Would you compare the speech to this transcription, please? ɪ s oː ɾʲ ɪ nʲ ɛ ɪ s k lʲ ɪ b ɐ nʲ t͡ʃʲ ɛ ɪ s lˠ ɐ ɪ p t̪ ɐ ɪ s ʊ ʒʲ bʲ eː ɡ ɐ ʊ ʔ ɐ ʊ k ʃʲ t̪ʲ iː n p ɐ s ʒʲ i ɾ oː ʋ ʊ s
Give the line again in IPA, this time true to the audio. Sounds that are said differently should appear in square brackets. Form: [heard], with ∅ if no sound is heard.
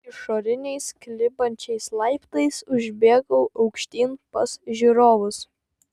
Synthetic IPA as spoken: ɪ [ʃ] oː ɾʲ ɪ nʲ ɛ ɪ s k lʲ ɪ b ɐ nʲ t͡ʃʲ ɛ ɪ s lˠ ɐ ɪ p t̪ ɐ ɪ s ʊ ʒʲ bʲ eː ɡ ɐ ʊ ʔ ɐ ʊ k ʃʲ t̪ʲ iː n p ɐ s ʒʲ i ɾ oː ʋ ʊ s